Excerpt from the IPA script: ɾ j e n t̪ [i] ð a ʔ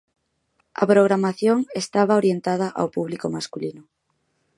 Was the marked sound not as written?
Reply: yes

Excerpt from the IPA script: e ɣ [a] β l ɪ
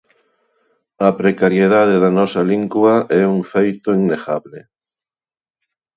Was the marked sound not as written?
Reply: no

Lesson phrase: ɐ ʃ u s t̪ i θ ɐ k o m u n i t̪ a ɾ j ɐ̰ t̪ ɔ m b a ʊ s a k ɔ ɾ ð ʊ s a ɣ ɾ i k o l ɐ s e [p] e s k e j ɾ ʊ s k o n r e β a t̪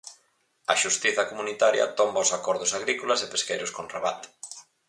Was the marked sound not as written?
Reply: no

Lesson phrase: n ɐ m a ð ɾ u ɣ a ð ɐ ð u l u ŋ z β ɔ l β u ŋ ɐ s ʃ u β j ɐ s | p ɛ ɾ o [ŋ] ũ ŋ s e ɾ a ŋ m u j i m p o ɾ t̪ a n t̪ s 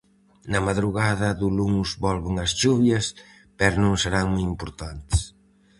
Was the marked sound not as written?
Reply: yes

